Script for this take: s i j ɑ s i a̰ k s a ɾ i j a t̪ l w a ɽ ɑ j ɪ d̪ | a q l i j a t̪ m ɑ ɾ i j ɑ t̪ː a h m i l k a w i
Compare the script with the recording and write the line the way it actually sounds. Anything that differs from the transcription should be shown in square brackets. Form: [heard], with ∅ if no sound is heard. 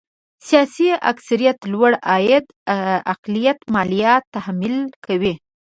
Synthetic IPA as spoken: s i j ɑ s i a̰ k s a ɾ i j a t̪ l w a ɽ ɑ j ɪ d̪ | a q l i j a t̪ m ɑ [l] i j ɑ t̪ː a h m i l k a w i